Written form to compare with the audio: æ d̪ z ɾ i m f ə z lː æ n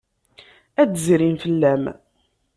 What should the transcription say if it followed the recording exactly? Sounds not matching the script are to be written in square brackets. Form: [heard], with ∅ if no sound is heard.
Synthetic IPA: æ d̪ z ɾ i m f ə [∅] lː æ [m]